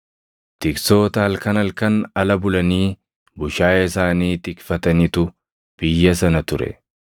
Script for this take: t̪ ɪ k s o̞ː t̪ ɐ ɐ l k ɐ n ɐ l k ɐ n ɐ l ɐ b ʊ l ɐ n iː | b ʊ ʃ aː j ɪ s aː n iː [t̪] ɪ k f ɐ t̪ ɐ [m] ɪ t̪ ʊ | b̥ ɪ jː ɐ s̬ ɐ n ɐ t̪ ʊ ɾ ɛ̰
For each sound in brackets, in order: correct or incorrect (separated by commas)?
correct, incorrect